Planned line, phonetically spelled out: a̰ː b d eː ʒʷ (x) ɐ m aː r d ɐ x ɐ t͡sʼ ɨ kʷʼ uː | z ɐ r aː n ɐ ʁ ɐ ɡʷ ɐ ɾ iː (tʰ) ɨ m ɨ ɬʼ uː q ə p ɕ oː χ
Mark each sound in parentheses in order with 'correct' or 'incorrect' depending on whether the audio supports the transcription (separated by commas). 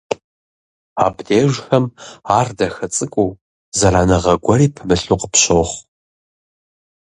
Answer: correct, incorrect